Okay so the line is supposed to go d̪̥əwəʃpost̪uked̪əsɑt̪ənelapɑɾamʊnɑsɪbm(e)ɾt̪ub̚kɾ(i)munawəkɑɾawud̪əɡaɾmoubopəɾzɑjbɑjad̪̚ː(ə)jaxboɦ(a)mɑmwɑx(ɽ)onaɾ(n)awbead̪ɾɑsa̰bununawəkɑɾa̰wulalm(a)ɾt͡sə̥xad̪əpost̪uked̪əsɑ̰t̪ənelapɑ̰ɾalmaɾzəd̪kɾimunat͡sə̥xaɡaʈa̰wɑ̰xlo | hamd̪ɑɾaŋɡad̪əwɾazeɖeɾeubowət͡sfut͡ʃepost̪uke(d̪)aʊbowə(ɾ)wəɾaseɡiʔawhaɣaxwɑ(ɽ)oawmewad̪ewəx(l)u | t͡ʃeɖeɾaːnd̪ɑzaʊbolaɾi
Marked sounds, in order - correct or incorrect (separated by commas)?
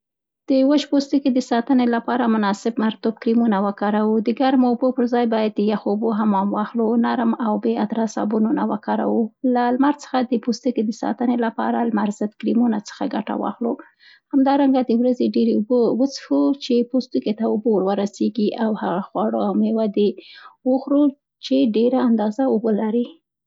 incorrect, correct, correct, correct, incorrect, incorrect, correct, incorrect, correct, correct, incorrect